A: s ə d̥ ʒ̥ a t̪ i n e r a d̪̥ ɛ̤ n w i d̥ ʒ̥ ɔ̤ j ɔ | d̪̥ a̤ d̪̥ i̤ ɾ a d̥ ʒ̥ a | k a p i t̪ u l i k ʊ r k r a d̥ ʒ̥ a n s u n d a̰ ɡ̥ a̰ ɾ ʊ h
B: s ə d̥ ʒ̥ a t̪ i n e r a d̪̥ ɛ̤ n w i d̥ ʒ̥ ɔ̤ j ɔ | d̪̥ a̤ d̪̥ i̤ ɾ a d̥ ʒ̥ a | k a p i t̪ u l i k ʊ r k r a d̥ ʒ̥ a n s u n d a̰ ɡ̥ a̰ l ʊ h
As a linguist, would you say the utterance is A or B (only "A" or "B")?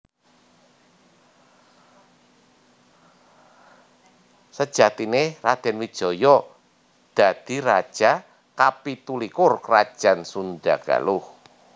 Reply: B